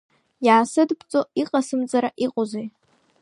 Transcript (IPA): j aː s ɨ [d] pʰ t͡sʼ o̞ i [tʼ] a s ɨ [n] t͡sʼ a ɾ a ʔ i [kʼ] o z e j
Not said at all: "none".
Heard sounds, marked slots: d, qʼ, m, qʼ

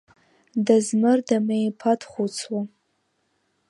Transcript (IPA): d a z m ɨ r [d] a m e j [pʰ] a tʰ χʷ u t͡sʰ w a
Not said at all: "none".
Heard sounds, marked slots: d, pʰ

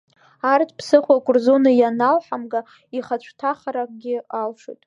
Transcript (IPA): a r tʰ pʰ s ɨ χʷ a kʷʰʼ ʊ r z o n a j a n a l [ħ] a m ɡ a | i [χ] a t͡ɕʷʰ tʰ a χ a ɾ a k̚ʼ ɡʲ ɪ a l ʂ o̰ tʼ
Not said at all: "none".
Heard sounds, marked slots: ħ, χ

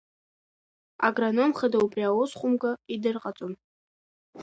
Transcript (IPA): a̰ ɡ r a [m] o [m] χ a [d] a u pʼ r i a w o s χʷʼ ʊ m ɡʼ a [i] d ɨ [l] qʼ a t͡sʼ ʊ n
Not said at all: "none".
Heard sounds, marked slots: n, m, d, i, r

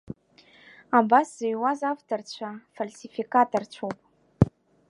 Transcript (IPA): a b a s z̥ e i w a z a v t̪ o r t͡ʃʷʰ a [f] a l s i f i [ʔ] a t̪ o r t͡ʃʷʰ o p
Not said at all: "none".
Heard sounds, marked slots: f, k

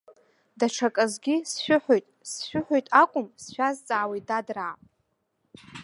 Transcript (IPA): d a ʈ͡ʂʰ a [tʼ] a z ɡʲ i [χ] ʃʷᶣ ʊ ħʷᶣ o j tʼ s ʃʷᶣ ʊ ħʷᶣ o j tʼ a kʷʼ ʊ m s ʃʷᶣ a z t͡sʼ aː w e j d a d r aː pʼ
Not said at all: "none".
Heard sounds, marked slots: kʼ, s

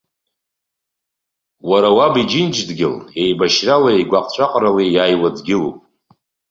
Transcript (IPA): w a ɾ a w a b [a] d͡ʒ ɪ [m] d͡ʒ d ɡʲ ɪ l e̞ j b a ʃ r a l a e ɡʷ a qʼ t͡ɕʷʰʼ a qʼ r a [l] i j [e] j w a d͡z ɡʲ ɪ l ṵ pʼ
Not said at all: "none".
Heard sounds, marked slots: i, n, l, a

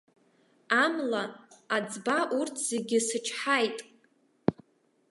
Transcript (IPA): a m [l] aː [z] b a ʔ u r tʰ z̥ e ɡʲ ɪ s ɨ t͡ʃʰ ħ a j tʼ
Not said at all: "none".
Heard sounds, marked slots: l, d͡z

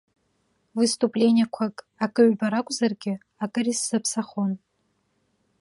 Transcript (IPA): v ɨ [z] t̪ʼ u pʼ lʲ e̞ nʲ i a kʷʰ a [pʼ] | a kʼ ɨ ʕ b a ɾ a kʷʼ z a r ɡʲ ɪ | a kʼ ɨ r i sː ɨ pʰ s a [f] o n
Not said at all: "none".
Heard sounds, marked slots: s, kʼ, χ

